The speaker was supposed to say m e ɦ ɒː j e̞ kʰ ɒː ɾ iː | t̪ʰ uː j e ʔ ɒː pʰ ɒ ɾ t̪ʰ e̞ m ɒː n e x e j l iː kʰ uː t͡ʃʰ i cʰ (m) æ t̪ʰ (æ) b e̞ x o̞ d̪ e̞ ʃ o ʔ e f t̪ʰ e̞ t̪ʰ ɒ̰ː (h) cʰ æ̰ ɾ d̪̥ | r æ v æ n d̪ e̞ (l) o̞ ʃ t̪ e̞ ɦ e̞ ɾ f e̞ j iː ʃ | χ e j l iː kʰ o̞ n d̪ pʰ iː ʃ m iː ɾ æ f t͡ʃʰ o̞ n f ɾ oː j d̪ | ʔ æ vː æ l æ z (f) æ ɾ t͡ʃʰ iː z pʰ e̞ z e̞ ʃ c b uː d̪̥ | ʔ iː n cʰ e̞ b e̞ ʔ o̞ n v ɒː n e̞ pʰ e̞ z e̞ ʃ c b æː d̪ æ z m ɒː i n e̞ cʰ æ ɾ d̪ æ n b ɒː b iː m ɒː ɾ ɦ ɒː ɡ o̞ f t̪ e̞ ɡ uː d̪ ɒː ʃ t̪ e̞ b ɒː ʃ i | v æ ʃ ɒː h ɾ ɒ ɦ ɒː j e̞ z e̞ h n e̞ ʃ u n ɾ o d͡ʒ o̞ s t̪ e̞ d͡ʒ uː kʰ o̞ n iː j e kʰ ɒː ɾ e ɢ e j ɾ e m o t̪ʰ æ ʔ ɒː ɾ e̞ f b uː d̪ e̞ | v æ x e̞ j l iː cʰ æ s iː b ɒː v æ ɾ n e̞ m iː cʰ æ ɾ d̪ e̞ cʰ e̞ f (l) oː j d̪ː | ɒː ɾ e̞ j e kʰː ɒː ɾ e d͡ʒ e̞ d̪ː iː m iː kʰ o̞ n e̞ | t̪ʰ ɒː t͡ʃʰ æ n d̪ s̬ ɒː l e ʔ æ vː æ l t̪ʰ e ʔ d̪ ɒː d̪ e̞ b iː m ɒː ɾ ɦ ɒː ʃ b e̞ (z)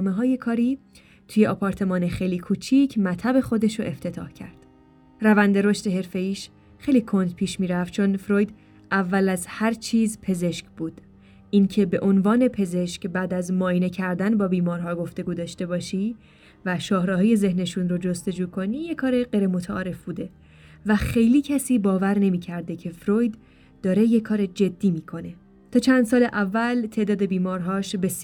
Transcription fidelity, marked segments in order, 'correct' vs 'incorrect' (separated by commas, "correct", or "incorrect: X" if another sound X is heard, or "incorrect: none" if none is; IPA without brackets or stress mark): correct, correct, correct, incorrect: ɾ, incorrect: h, incorrect: ɾ, incorrect: s